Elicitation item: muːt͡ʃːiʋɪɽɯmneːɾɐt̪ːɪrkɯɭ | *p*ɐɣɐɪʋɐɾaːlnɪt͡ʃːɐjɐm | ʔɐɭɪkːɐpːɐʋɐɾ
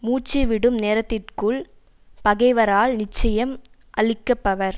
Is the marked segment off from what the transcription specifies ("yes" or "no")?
no